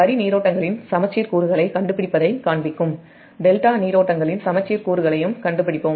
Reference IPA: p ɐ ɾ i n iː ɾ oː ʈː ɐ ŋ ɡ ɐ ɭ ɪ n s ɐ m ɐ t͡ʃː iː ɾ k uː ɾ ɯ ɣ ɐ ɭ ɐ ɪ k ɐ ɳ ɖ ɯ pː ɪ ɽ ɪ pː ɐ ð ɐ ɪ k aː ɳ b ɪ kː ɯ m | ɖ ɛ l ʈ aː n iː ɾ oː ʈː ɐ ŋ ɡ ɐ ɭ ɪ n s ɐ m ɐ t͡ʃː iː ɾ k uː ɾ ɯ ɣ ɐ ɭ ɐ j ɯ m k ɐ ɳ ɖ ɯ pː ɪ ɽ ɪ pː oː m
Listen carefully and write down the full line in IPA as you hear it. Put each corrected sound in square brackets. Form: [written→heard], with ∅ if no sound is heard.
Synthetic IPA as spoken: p ɐ ɾ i n iː ɾ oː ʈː ɐ ŋ ɡ ɐ ɭ ɪ n s ɐ m ɐ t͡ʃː iː ɾ k uː ɾ ɯ ɣ ɐ ɭ ɐ ɪ k ɐ ɳ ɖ ɯ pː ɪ ɽ ɪ pː ɐ ð ɐ ɪ k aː ɳ b ɪ kː ɯ m | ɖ ɛ l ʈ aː n iː ɾ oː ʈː ɐ ŋ ɡ ɐ ɭ ɪ n s ɐ m ɐ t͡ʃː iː ɾ k uː ɾ ɯ ɣ ɐ ɭ ɐ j ɯ m k ɐ ɳ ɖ ɯ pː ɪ ɽ ɪ pː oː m

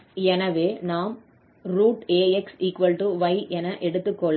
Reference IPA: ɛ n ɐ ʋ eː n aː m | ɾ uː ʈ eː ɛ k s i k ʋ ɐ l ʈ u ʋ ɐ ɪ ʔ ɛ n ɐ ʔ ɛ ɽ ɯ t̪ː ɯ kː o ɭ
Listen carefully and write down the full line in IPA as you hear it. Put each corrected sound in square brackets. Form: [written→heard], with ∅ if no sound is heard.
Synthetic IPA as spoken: ɛ n ɐ ʋ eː n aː m | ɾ uː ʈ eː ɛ k s [i→iː] k ʋ ɐ l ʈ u ʋ ɐ ɪ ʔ ɛ n ɐ ʔ ɛ ɽ ɯ t̪ː ɯ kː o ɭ

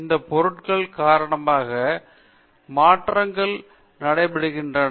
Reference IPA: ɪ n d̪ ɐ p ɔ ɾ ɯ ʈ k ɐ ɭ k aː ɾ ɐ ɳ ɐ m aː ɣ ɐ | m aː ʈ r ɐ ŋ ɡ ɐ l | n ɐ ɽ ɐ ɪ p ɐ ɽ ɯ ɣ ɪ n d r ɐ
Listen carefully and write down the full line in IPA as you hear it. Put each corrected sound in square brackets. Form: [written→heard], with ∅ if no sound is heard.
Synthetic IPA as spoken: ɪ n d̪ ɐ p ɔ ɾ ɯ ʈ k ɐ ɭ k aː ɾ ɐ ɳ ɐ m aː ɣ ɐ | m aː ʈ r ɐ ŋ ɡ ɐ [l→ɭ] | n ɐ ɽ ɐ ɪ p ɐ ɽ ɯ ɣ ɪ n d r ɐ

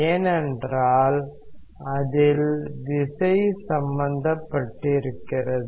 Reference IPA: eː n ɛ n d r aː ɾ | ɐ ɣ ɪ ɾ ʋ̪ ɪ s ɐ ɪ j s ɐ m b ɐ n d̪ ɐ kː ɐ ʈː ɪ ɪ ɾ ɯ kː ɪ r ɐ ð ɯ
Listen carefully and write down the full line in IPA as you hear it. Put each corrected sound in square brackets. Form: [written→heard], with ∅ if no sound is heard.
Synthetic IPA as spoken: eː n ɛ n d r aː [ɾ→l] | ɐ [ɣ→ð] ɪ [ɾ→l] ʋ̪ ɪ s ɐ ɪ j s ɐ m b ɐ n d̪ ɐ [kː→pː] ɐ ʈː ɪ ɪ ɾ ɯ kː ɪ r ɐ ð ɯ

